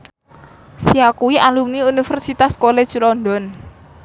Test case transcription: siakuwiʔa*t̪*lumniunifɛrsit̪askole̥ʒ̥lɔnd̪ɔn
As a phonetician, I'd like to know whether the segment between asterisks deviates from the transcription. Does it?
yes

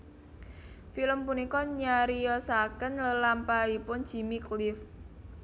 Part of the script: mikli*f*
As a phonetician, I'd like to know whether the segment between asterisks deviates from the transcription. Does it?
no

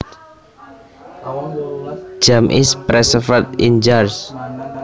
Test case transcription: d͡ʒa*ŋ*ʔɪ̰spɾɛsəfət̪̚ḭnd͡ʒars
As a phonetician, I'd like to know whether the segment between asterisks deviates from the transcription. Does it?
yes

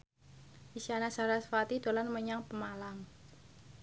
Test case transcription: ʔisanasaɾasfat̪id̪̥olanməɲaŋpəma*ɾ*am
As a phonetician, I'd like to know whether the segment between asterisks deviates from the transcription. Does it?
yes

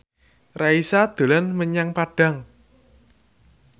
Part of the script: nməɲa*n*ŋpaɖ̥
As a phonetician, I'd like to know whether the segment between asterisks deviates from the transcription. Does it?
yes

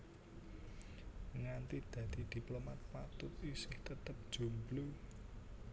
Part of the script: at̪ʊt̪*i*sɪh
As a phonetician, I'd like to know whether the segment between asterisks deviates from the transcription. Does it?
no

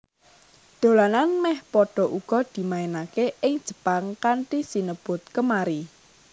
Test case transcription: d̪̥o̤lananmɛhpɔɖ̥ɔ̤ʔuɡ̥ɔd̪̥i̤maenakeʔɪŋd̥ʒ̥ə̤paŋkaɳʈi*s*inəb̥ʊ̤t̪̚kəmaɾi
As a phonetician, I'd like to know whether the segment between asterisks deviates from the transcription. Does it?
no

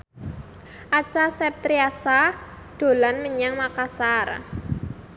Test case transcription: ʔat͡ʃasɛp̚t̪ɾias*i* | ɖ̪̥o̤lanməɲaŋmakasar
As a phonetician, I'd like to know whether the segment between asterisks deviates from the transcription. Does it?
yes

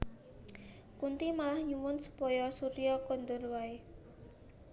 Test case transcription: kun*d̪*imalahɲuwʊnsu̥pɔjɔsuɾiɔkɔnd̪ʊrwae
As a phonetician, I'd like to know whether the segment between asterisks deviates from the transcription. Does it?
yes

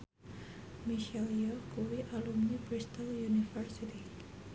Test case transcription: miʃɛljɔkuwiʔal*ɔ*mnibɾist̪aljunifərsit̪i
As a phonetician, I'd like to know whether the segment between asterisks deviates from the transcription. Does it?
yes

